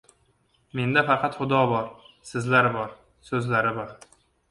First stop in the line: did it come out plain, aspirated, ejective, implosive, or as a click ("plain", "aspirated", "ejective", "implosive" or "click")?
plain